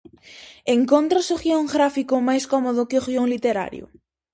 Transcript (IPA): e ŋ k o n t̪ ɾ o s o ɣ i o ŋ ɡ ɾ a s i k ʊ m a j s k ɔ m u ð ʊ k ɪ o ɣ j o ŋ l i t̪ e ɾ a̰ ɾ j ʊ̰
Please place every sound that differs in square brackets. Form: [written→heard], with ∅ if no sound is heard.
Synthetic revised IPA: e ŋ k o n t̪ ɾ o s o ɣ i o ŋ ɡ ɾ a [s→f] i k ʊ m a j s k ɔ m [u→o] ð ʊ k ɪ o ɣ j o ŋ l i t̪ e ɾ a̰ ɾ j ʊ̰